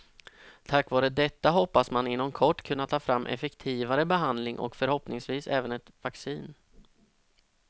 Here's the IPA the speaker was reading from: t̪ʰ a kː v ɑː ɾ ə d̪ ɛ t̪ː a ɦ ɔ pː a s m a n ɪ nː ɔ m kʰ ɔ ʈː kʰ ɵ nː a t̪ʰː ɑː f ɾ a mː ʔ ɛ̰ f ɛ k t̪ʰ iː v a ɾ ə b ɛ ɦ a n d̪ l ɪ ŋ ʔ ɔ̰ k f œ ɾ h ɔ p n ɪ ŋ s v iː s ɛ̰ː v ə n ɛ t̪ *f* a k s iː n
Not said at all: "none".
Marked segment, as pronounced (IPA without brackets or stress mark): v